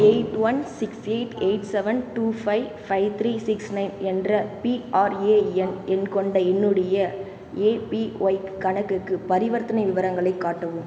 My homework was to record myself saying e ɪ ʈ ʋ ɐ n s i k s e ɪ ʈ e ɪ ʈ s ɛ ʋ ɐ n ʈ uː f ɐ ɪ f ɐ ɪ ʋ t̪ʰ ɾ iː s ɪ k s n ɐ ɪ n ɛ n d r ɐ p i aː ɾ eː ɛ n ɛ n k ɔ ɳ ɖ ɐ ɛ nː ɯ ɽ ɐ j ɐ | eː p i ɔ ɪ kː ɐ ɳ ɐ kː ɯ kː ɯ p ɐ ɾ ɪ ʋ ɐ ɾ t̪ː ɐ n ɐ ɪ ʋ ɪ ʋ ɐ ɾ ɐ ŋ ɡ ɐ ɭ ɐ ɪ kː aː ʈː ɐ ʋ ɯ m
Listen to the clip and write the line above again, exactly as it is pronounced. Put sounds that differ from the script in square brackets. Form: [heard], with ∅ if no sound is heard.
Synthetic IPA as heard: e ɪ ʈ ʋ ɐ n s [ɪ] k s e ɪ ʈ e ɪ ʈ s ɛ ʋ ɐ n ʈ uː f ɐ ɪ f ɐ ɪ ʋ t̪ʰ ɾ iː s ɪ k s n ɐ ɪ n ɛ n d r ɐ p i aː ɾ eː ɛ n ɛ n k ɔ ɳ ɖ ɐ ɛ nː ɯ ɽ ɐ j ɐ | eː p i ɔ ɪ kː ɐ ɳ ɐ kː ɯ kː ɯ p ɐ ɾ ɪ ʋ ɐ ɾ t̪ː ɐ n ɐ ɪ ʋ ɪ ʋ ɐ ɾ ɐ ŋ ɡ ɐ ɭ ɐ ɪ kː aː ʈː ɐ ʋ ɯ m